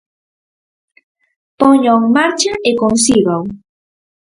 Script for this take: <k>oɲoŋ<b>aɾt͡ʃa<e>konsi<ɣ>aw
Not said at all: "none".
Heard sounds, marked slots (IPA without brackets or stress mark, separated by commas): p, m, e, ɣ